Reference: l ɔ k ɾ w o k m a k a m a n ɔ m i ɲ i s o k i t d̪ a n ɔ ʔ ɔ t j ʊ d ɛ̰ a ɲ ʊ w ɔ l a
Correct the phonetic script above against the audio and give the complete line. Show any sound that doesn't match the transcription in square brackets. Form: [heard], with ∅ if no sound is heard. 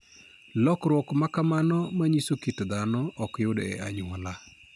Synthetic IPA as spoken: l ɔ k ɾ w [ɔ] k m a k a m a n ɔ m [a] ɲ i s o k i t d̪ a n ɔ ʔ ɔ [k] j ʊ d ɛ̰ a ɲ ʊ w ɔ l a